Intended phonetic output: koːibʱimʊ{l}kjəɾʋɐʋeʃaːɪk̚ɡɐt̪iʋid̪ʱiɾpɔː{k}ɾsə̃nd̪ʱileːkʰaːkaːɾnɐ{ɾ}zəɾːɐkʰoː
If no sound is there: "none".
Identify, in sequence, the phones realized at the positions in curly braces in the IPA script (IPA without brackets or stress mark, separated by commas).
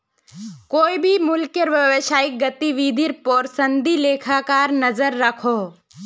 l, none, none